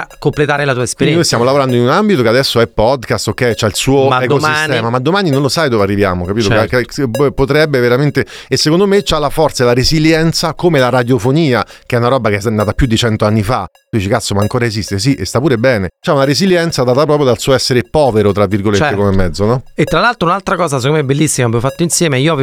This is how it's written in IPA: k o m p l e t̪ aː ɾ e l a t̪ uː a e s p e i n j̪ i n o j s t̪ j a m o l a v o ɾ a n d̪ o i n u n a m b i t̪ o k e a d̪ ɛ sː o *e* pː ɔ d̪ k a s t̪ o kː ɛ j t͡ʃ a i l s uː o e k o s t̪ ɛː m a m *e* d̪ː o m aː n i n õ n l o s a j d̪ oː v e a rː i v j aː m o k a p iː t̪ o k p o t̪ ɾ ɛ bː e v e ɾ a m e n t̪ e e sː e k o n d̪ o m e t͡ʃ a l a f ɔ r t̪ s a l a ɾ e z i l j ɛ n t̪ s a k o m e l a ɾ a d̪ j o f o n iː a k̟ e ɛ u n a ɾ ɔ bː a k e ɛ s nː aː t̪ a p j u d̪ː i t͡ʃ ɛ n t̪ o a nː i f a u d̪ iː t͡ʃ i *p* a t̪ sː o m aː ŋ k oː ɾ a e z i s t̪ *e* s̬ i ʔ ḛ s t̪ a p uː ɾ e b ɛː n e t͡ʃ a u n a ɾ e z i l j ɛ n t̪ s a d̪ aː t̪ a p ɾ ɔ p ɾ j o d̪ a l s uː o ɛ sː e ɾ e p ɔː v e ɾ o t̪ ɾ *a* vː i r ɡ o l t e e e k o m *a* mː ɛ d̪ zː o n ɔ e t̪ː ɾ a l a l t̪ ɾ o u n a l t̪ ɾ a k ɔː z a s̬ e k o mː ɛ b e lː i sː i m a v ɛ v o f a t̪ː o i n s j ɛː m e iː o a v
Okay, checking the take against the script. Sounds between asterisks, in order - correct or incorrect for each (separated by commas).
incorrect, incorrect, incorrect, correct, correct, incorrect